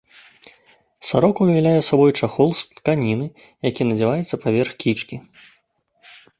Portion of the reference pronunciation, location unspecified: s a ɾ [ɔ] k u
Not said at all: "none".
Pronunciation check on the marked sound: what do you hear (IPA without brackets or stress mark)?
ɔ